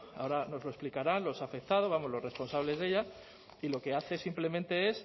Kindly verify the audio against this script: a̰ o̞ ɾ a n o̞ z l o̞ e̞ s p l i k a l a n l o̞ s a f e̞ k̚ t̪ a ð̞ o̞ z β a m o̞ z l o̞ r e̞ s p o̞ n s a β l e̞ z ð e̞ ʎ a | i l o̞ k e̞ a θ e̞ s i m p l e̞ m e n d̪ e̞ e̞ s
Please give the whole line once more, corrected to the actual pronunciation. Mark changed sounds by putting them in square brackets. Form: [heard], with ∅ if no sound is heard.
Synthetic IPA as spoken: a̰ o̞ ɾ a n o̞ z l o̞ e̞ s p l i k a [ɾ] a n l o̞ s a f e̞ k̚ t̪ a ð̞ o̞ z β a m o̞ z l o̞ r e̞ s p o̞ n s a β l e̞ z ð e̞ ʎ a | i l o̞ k e̞ a θ e̞ s i m p l e̞ m e n [t̪] e̞ e̞ s

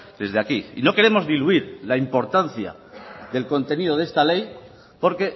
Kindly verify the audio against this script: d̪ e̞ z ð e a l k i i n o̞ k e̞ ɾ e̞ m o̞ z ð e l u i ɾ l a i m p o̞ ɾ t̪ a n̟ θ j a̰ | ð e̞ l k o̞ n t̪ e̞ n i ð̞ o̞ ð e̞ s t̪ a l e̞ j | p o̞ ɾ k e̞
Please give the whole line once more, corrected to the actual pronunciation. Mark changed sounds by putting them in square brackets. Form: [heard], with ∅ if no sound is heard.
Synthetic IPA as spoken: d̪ e̞ z ð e a [∅] k i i n o̞ k e̞ ɾ e̞ m o̞ z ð [i] l u i ɾ l a i m p o̞ ɾ t̪ a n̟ θ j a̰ | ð e̞ l k o̞ n t̪ e̞ n i ð̞ o̞ ð e̞ s t̪ a l e̞ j | p o̞ ɾ k e̞

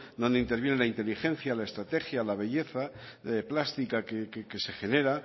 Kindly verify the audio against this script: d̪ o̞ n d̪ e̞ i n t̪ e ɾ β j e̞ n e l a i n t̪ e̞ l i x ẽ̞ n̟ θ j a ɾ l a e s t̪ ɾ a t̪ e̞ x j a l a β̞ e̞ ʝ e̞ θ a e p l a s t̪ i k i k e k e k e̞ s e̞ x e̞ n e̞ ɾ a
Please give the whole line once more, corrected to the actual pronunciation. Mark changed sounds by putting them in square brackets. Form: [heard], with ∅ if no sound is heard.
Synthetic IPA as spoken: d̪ o̞ n d̪ e̞ i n t̪ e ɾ β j e̞ n e l a i n t̪ e̞ l i x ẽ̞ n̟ θ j a [∅] l a e s t̪ ɾ a t̪ e̞ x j a l a β̞ e̞ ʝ e̞ θ a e p l a s t̪ i k [a] k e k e k e̞ s e̞ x e̞ n e̞ ɾ a

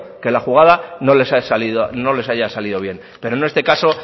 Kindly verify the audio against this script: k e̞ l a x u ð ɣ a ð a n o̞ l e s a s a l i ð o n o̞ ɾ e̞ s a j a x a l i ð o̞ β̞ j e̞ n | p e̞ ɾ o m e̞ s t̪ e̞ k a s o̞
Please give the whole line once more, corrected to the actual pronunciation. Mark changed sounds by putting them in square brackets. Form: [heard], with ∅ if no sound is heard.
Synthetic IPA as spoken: k e̞ l a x u [∅] ɣ a ð a n o̞ l e s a s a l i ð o n o̞ [l] e̞ s a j a [s] a l i ð o̞ β̞ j e̞ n | p e̞ ɾ o [n] e̞ s t̪ e̞ k a s o̞

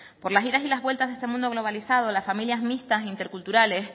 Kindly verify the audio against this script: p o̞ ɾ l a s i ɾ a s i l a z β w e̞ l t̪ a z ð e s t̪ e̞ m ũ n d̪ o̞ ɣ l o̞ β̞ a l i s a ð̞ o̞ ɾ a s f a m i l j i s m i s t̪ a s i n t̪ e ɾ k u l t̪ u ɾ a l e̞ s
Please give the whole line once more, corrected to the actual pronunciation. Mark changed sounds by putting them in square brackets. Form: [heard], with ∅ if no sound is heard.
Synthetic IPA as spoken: p o̞ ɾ l a s i ɾ a s i l a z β w e̞ l t̪ a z ð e s t̪ e̞ m ũ n d̪ o̞ ɣ l o̞ β̞ a l i s a ð̞ o̞ [l] a s f a m i l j [a] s m i s t̪ a s i n t̪ e ɾ k u l t̪ u ɾ a l e̞ s

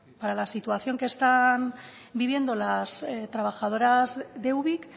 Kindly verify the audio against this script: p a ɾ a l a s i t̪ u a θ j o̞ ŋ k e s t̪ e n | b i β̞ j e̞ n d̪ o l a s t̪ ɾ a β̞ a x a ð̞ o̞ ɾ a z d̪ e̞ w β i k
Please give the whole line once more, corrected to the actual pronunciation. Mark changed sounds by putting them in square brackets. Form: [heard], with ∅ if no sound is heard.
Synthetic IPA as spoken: p a ɾ a l a s i t̪ u a θ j o̞ ŋ k e s t̪ [a] n | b i β̞ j e̞ n d̪ o l a s t̪ ɾ a β̞ a x a ð̞ o̞ ɾ a z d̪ e̞ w β i k

